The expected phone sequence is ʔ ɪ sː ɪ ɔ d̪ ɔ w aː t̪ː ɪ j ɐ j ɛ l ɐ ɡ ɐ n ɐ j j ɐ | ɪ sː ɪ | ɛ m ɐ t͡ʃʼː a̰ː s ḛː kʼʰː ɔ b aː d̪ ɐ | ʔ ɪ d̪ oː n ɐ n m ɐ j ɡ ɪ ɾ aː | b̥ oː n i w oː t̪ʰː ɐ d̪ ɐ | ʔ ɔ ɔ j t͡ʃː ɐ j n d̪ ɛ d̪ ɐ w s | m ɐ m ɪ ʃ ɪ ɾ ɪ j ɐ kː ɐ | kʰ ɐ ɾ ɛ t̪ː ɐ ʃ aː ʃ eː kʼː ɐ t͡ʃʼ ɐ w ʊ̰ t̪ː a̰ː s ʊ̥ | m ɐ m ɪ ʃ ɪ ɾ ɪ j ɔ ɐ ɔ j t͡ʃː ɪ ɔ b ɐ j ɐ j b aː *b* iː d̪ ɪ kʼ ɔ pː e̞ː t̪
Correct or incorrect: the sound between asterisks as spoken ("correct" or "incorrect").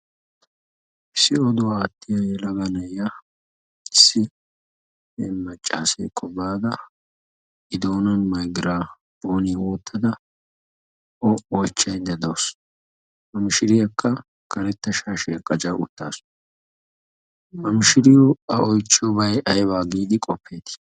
incorrect